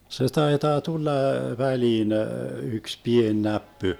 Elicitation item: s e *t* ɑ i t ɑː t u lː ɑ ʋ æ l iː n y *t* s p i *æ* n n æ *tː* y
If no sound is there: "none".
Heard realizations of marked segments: t, k, e, pː

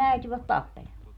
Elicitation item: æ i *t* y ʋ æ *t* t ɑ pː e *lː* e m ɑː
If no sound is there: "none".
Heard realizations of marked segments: t, t, l

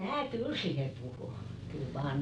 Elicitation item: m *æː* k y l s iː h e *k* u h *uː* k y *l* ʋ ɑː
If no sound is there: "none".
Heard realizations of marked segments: æː, p, u, l

